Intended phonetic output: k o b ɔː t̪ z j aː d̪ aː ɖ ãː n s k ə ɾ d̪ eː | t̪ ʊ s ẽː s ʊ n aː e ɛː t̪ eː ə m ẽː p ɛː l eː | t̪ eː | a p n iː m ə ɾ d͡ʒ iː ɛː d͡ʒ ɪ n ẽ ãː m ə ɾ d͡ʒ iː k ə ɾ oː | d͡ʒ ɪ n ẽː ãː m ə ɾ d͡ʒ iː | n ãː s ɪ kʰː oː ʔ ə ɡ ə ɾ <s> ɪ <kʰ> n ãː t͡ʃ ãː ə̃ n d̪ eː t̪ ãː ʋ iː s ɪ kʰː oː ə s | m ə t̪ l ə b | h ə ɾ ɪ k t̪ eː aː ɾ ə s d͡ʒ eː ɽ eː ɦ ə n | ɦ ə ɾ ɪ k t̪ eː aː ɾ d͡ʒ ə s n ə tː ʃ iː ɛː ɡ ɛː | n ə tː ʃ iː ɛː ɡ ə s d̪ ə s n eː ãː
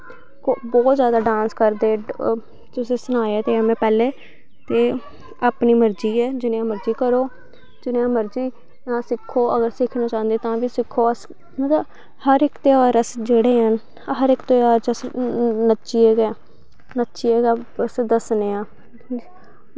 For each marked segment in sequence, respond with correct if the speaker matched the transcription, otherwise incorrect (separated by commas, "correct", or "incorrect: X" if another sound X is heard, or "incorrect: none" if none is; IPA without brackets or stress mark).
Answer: correct, correct